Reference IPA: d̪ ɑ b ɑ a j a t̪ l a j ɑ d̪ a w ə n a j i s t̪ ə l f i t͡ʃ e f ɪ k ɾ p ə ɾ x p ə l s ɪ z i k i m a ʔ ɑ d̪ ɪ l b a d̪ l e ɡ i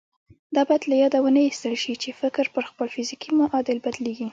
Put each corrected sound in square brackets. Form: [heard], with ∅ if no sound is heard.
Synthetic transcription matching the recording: d̪ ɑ b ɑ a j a [d̪] l a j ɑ d̪ a w ə n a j i s t̪ ə l [ʃ] i t͡ʃ e f ɪ k ɾ p ə ɾ x p ə l [f] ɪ z i k i m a ʔ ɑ d̪ ɪ l b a d̪ l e ɡ i